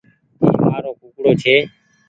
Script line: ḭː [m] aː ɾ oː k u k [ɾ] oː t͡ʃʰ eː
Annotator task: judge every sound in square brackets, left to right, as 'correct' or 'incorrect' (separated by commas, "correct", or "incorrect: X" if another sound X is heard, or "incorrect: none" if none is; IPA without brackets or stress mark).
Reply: correct, incorrect: ɽ